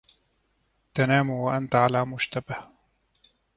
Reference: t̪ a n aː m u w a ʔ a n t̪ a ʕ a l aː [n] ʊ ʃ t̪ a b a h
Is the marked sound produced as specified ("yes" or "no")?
no